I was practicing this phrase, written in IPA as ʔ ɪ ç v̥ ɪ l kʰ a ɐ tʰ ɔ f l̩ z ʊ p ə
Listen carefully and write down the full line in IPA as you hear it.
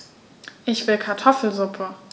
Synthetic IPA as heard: ʔ ɪ ç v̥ ɪ l kʰ a ɐ tʰ ɔ f l̩ z ʊ pʰ ə